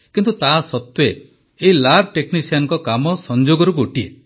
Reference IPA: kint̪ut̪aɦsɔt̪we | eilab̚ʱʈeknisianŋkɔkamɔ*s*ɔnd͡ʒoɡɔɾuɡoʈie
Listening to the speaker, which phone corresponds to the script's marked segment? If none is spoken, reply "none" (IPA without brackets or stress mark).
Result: s